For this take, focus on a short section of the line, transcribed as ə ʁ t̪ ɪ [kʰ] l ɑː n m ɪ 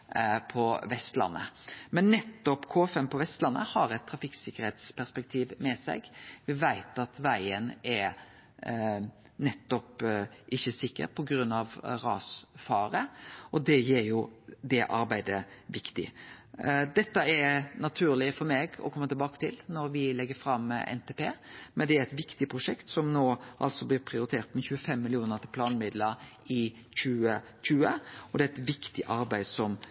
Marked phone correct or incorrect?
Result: incorrect: pʰ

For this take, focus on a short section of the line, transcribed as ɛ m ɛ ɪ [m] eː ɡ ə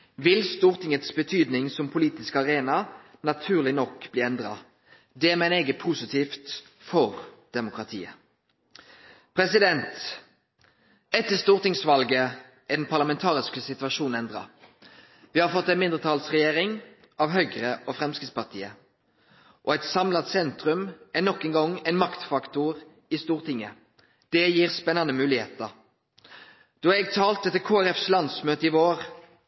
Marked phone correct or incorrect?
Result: incorrect: n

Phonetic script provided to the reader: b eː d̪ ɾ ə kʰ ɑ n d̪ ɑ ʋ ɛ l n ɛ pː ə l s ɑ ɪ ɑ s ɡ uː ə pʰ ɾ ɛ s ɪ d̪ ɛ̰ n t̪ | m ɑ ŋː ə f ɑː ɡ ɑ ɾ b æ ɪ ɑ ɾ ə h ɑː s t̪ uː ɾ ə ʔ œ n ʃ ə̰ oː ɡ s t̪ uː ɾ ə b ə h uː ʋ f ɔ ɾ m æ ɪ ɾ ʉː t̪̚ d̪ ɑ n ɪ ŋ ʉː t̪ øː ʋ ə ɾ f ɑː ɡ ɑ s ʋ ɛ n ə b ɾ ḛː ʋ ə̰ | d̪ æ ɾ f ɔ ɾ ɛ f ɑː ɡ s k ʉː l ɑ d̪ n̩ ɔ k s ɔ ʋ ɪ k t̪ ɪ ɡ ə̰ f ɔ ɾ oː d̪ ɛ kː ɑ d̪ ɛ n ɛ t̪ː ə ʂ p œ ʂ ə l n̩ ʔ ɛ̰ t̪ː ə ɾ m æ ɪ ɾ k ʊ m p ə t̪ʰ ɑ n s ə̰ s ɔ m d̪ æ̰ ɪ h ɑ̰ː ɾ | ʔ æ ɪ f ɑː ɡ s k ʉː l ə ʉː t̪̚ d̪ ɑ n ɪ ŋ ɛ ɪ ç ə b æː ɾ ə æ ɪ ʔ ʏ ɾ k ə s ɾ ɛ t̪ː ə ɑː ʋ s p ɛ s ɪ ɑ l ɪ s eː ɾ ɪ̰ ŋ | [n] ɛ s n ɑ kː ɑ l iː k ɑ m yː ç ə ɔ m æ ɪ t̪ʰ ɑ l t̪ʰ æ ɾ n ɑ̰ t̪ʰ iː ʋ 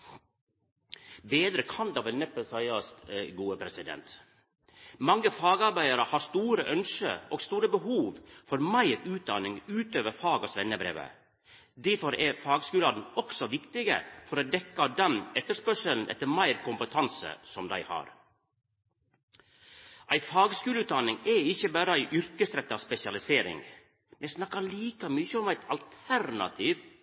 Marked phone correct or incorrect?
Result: incorrect: m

